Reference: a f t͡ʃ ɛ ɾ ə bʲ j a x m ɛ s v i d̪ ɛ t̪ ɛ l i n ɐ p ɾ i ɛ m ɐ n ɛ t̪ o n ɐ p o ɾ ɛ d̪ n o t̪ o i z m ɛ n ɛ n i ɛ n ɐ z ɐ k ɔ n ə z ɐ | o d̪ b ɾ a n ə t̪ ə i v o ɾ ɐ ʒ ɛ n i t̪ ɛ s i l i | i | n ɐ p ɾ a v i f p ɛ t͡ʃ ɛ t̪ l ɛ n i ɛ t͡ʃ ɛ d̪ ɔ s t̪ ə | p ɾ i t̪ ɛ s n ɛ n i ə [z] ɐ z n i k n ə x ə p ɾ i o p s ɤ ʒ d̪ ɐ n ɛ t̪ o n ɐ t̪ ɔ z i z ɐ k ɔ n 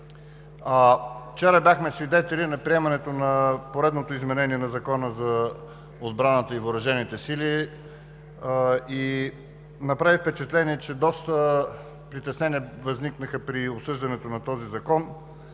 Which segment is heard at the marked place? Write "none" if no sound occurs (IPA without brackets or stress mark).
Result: v